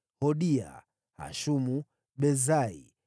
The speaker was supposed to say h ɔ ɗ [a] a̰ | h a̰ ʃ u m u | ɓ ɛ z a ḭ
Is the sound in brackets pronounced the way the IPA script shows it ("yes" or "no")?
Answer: no